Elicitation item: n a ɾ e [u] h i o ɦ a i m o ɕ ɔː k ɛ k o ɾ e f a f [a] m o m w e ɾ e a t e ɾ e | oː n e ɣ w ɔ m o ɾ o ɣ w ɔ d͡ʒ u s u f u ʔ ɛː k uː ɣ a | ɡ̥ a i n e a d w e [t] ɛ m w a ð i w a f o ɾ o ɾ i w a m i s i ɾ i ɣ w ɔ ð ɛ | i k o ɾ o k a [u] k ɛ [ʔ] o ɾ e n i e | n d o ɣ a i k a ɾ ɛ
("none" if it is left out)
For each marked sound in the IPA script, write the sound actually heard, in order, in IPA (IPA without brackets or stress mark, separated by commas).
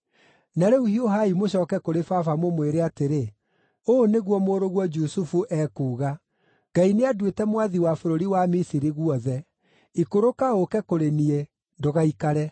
u, a, t, o, k